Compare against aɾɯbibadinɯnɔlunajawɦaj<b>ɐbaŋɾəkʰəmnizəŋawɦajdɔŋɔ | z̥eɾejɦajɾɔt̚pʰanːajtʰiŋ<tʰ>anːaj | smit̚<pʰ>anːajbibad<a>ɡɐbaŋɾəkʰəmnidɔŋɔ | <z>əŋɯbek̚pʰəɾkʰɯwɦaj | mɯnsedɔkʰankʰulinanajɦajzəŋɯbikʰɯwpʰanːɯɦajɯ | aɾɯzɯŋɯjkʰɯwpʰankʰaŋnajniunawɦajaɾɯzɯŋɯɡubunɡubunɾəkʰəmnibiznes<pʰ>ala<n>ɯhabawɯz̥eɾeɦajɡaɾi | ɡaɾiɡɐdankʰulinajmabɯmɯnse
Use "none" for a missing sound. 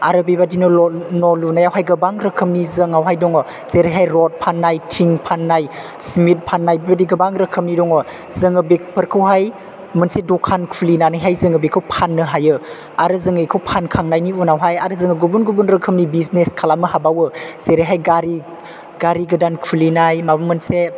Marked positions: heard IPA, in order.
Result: ɡ, pʰ, pʰ, i, z, kʰ, m

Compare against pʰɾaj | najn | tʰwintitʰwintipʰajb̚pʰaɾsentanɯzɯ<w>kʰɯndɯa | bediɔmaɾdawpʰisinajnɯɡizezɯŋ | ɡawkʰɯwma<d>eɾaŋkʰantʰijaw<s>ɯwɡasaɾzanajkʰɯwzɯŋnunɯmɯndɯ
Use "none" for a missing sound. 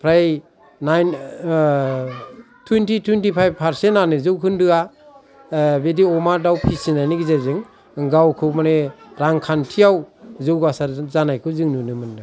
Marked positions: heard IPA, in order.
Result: w, n, z

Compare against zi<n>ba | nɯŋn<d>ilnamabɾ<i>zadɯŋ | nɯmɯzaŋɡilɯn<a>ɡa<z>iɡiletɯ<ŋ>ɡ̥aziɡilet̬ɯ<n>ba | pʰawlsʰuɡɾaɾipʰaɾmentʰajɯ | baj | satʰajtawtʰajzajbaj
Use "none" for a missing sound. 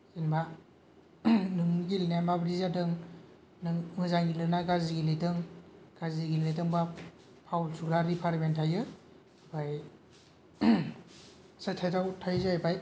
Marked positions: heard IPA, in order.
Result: n, ɡ, i, a, z, ŋ, ŋ

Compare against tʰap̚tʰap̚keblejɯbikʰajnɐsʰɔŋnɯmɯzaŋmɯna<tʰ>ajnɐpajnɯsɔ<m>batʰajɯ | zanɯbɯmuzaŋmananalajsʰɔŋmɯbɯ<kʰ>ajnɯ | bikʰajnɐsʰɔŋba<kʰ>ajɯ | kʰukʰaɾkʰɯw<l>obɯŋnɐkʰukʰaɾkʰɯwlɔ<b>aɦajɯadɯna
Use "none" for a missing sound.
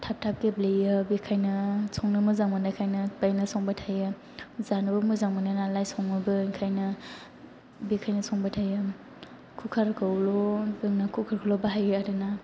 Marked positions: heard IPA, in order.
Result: kʰ, ŋ, kʰ, tʰ, l, b

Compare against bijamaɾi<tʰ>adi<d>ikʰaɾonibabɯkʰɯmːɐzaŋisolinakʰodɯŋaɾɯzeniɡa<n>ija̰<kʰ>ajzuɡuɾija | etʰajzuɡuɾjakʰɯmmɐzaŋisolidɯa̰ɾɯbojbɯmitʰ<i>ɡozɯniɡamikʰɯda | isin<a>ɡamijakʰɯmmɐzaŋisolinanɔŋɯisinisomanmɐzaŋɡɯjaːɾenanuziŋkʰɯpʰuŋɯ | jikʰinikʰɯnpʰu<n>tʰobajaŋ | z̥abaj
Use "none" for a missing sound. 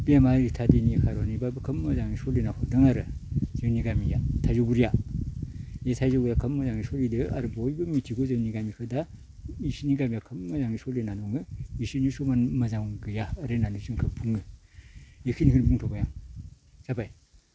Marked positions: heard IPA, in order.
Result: tʰ, n, m, tʰ, i, i, ŋ

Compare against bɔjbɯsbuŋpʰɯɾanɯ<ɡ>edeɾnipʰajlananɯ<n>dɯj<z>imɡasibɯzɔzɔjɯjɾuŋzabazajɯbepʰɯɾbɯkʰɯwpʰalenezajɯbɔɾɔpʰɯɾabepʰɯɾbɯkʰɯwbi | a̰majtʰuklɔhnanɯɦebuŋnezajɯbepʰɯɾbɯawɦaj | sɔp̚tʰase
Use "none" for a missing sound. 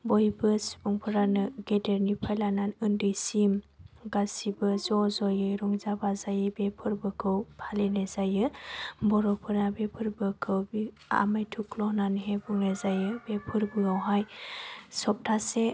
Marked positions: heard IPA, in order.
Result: ɡ, n, s

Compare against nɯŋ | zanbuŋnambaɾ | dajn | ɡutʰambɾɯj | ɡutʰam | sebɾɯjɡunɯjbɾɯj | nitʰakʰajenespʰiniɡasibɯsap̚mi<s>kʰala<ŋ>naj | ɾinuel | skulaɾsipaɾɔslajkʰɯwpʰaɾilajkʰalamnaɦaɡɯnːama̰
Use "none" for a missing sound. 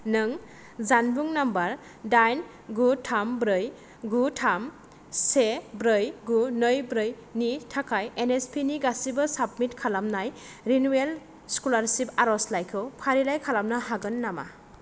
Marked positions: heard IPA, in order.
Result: t, m

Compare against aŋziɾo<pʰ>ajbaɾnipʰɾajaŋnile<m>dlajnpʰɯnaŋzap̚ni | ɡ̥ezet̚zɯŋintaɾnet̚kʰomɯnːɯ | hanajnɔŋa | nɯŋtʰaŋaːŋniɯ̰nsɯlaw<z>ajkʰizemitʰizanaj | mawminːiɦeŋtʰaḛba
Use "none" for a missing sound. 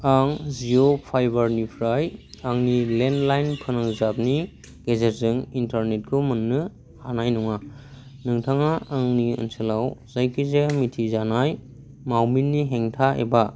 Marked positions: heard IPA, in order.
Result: pʰ, n, z

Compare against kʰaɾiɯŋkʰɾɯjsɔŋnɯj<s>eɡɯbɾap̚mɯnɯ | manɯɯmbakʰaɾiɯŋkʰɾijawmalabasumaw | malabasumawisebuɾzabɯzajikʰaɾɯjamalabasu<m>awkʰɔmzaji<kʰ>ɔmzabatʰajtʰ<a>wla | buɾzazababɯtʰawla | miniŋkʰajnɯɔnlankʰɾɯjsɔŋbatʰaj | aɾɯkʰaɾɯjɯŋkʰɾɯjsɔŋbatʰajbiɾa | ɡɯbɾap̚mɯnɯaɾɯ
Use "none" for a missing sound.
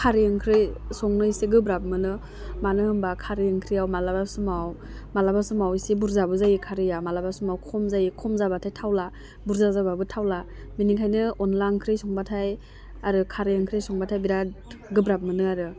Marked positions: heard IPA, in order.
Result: s, m, kʰ, a

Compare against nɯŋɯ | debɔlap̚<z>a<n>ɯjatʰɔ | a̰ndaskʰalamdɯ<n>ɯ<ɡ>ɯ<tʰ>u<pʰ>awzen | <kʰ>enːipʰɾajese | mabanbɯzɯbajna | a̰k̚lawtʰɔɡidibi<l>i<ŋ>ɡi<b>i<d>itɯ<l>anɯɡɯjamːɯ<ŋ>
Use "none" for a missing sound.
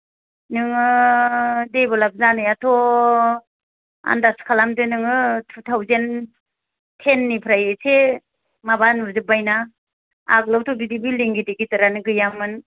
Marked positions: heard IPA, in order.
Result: z, n, n, ŋ, tʰ, tʰ, tʰ, l, ŋ, d, ɡ, ɾ, n

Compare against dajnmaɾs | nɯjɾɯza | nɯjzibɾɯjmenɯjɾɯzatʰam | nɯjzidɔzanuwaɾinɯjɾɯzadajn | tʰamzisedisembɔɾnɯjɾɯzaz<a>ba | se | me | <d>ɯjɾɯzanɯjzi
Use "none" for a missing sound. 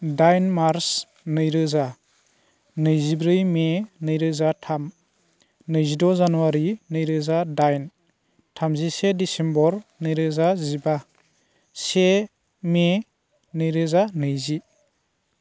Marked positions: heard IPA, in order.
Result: i, n

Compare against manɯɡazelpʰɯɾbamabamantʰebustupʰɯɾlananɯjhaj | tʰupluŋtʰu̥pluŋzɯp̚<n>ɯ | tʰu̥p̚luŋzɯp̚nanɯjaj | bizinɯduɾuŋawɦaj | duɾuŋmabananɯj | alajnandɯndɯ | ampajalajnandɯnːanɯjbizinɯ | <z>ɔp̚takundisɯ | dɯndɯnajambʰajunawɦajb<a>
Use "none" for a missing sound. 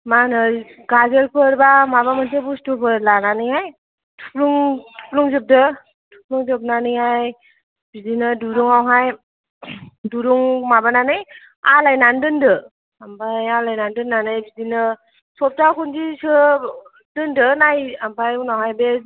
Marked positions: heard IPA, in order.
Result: d, s, e

